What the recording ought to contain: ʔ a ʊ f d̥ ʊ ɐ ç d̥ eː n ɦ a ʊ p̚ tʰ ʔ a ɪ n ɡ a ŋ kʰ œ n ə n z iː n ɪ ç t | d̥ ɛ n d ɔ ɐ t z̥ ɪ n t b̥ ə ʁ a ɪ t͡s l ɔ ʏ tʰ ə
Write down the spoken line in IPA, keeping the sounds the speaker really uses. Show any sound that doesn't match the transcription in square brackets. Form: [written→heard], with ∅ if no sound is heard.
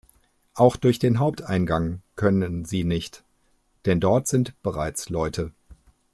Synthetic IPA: ʔ a ʊ [f→x] d̥ ʊ ɐ ç d̥ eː n ɦ a ʊ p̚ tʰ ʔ a ɪ n ɡ a ŋ kʰ œ n ə n z iː n ɪ ç t | d̥ ɛ n d ɔ ɐ t z̥ ɪ n t b̥ ə ʁ a ɪ t͡s l ɔ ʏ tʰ ə